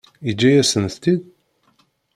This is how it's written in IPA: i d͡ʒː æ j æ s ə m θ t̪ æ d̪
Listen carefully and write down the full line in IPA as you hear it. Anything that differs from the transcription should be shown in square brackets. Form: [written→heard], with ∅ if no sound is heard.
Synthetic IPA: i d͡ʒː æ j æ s ə [m→n] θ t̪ [æ→i] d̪